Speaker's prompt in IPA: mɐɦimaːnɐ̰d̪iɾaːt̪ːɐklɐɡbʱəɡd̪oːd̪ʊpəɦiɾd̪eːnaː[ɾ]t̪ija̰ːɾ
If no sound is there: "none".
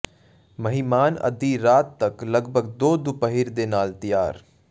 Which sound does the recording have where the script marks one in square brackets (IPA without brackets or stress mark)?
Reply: l